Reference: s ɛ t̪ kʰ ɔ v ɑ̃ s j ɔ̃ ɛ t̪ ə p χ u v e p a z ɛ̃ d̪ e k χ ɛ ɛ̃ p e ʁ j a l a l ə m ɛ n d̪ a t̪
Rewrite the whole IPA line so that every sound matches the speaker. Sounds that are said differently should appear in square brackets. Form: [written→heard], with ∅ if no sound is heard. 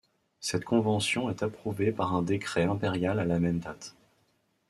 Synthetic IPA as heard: s ɛ t̪ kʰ [ɔ→ɔ̃] v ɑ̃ s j ɔ̃ ɛ t̪ [ə→a] p χ u v e p a [z→ʁ] ɛ̃ d̪ e k χ ɛ ɛ̃ p e ʁ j a l a l [ə→a] m ɛ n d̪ a t̪